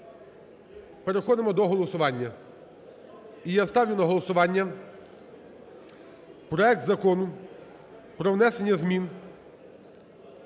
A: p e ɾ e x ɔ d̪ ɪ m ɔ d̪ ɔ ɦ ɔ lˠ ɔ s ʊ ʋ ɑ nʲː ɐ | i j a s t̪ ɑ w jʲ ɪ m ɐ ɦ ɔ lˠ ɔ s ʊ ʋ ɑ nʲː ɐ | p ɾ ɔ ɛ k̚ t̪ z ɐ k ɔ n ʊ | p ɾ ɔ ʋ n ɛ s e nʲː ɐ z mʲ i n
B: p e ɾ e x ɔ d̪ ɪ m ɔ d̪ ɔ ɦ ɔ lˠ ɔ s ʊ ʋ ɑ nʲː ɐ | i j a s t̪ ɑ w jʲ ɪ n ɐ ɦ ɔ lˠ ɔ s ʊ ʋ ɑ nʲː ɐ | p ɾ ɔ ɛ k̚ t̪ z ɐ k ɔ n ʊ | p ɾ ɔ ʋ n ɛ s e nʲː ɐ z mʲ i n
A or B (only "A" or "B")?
B